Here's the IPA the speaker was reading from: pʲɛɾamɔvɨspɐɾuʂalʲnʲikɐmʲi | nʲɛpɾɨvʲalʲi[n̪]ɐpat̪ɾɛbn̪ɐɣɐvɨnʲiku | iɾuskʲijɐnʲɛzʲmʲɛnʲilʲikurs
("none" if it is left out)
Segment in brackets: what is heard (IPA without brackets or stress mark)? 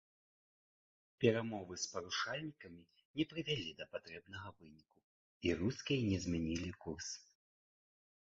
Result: d̪